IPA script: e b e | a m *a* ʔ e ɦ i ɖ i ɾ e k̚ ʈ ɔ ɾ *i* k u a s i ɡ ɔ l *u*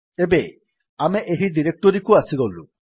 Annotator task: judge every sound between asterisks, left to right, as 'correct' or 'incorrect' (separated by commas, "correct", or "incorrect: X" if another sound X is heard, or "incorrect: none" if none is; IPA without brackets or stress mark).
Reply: incorrect: e, correct, correct